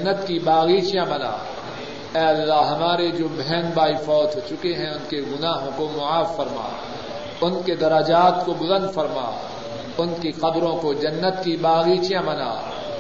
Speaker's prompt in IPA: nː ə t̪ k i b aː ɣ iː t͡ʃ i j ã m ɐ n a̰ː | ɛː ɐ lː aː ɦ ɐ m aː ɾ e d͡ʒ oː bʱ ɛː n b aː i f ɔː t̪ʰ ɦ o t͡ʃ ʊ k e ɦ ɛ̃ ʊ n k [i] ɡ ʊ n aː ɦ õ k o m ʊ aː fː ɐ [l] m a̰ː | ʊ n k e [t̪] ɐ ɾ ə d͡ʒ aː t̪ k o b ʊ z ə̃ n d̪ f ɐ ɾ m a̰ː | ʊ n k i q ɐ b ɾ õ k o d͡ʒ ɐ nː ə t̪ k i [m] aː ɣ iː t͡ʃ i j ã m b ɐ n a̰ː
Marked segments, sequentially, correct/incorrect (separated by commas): incorrect, incorrect, incorrect, incorrect